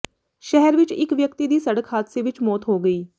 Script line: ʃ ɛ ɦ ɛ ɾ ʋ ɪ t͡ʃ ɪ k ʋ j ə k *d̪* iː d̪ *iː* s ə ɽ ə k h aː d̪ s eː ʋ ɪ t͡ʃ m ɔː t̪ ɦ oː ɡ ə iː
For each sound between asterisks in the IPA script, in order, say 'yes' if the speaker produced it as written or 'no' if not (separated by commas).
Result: no, yes